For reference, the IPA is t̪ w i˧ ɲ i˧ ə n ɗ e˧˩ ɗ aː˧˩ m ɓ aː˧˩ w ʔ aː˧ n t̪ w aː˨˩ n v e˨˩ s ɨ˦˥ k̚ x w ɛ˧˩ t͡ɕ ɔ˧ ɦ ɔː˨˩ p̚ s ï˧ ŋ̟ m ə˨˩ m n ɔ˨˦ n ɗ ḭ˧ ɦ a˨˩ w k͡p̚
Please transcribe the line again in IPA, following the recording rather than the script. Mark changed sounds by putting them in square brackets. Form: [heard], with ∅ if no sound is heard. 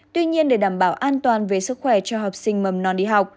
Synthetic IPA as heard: t̪ w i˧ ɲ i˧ ə n ɗ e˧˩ ɗ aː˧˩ m ɓ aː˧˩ w ʔ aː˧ n t̪ w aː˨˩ n v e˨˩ s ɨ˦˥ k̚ x w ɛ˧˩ t͡ɕ ɔ˧ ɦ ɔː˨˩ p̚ s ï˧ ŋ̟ m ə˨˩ m n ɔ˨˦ n ɗ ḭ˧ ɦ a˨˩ w k͡p̚